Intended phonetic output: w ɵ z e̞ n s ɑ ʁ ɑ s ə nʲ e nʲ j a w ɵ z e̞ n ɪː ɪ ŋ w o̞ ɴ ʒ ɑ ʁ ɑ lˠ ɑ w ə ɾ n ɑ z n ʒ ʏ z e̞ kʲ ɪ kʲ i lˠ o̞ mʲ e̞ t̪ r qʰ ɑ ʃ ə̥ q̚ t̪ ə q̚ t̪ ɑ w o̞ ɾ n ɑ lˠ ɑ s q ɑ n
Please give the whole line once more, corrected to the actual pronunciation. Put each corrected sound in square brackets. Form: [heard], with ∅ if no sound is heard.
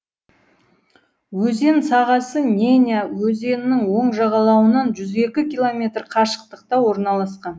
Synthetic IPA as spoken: w ɵ z e̞ n s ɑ ʁ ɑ s ə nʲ e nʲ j a w ɵ z e̞ n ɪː ɪ ŋ w o̞ ɴ ʒ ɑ ʁ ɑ lˠ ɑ w ə [∅] n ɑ [∅] n ʒ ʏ z e̞ kʲ ɪ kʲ i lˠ o̞ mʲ e̞ t̪ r qʰ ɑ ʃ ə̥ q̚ t̪ ə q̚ t̪ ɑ w o̞ ɾ n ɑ lˠ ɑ s q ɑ n